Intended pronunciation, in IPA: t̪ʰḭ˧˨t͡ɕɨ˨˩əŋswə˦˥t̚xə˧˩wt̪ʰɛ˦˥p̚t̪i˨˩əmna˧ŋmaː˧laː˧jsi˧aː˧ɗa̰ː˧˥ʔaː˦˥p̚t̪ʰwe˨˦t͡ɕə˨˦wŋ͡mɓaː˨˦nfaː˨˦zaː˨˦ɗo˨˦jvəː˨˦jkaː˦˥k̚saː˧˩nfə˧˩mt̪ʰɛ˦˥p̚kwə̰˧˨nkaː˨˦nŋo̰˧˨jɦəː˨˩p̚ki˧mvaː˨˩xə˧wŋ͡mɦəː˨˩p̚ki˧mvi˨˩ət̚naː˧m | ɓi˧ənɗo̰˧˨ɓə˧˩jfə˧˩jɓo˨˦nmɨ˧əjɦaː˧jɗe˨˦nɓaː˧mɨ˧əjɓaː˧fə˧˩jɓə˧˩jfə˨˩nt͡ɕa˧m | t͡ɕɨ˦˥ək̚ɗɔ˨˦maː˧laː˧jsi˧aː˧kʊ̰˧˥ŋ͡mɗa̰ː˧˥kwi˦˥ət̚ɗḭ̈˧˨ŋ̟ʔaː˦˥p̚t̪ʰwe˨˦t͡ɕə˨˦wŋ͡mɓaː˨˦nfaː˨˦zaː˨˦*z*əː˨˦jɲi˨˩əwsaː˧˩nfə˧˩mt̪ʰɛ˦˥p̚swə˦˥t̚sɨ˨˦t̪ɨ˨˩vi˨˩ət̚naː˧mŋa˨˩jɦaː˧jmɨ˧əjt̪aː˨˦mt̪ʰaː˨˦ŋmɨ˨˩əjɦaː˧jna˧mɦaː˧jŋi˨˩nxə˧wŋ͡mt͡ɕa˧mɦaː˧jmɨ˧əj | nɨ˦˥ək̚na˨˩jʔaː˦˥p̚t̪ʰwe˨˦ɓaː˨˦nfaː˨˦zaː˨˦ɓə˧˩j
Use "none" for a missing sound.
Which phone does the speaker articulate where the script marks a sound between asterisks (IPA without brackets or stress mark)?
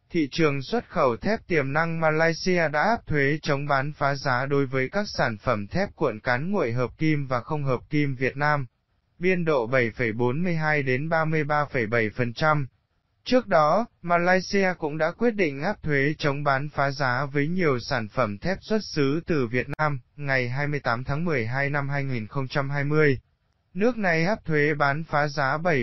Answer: v